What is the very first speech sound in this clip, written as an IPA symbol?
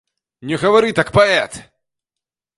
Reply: nʲ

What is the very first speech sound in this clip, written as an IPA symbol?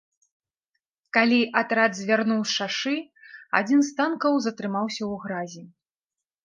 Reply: k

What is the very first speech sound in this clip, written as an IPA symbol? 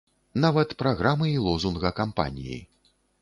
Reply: n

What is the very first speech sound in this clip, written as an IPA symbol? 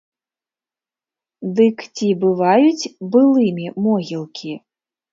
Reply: d̪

